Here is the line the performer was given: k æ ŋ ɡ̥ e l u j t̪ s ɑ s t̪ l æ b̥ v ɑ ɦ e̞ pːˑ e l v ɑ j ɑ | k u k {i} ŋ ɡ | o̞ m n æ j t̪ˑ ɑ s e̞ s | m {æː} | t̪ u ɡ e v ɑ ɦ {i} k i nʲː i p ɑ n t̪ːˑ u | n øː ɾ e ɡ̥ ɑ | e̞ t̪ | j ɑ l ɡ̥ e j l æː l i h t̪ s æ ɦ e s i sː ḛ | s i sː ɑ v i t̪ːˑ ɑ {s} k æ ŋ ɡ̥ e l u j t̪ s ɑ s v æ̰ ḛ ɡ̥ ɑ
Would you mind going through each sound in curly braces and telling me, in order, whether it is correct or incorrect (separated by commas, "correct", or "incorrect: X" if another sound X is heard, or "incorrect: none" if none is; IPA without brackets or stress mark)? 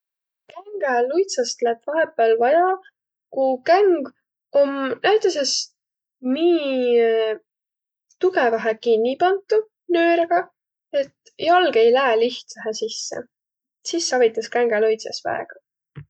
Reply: incorrect: æ, incorrect: iː, incorrect: e, correct